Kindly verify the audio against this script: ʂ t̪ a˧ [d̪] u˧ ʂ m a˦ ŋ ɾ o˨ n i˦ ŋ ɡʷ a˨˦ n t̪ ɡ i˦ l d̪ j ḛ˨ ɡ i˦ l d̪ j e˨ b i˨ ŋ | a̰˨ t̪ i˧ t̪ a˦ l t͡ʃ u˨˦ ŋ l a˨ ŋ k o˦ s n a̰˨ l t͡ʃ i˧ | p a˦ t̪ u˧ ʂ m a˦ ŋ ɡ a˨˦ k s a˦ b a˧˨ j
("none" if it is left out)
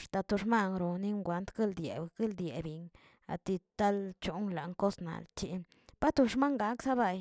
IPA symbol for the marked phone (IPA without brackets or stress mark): t̪